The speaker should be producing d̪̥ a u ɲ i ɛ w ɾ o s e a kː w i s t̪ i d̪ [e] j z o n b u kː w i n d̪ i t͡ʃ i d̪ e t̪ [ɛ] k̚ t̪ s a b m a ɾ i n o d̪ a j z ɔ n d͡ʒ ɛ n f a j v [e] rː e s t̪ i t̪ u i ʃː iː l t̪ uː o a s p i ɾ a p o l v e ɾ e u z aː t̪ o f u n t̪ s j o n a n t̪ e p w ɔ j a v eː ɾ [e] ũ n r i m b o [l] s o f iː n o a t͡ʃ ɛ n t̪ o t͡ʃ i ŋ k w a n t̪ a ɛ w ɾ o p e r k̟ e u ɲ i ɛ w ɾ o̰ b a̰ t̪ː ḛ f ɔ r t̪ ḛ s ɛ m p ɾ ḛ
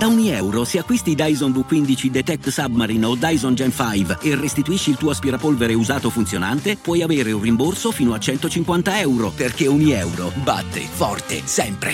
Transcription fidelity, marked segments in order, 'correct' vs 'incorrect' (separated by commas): incorrect, correct, correct, correct, incorrect